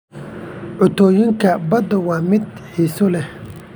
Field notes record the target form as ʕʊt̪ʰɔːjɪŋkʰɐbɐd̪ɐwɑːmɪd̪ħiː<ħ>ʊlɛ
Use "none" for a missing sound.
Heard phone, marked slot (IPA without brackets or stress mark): s